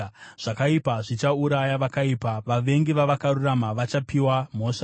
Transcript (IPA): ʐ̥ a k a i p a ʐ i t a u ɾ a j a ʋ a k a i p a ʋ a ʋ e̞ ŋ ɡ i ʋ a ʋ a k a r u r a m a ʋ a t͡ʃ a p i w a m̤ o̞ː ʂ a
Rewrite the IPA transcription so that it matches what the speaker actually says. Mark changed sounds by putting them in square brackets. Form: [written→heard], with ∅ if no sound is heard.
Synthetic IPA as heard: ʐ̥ a k a i p a ʐ i [t→t͡ʃ] a u ɾ a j a ʋ a k a i p a ʋ a ʋ e̞ ŋ ɡ i ʋ a ʋ a k a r u r a m a ʋ a t͡ʃ a p i w a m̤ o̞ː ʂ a